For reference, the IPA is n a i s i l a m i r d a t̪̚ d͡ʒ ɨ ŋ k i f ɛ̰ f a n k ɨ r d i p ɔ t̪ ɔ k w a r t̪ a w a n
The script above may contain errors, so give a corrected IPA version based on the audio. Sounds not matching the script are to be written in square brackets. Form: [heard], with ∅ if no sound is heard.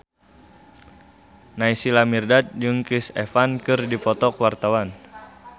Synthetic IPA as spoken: n a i s i l a m i r d a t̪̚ d͡ʒ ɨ ŋ k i [s] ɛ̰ f a n k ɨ r d i p ɔ t̪ ɔ k w a r t̪ a w a n